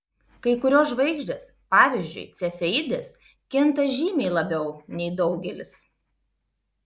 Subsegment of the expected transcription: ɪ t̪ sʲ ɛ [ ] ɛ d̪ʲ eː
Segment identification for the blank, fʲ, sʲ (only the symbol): fʲ